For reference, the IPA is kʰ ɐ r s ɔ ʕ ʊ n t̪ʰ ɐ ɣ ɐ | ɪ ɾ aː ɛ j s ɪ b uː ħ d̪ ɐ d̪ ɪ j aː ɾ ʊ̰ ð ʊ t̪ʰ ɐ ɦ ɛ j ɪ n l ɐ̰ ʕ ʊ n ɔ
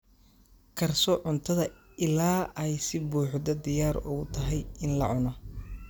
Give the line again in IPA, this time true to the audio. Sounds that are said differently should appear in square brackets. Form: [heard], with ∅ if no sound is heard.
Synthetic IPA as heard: kʰ ɐ r s ɔ ʕ ʊ n t̪ʰ ɐ [ð] ɐ | ɪ [l] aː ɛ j s ɪ b uː ħ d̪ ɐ d̪ ɪ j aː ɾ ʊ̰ [ɣ] ʊ t̪ʰ ɐ ɦ ɛ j ɪ n l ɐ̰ ʕ ʊ n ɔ